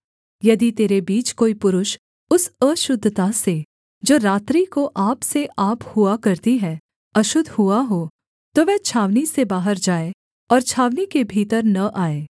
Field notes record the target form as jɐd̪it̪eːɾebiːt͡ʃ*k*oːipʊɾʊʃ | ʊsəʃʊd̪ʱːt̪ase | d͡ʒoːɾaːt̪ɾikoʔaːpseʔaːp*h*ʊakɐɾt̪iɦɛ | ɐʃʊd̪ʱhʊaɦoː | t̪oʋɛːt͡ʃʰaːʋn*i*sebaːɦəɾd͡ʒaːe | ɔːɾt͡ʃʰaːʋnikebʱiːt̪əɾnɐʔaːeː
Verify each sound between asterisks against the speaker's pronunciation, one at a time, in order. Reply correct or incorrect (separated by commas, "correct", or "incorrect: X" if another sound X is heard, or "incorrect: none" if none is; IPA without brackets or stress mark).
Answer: correct, correct, correct